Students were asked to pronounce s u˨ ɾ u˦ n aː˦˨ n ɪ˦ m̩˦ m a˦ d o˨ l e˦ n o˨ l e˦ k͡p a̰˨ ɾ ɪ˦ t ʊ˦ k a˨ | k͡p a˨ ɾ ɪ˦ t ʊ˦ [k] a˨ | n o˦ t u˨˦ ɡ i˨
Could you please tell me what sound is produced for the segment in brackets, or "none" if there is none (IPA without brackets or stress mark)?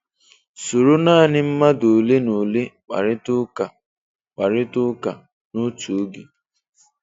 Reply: k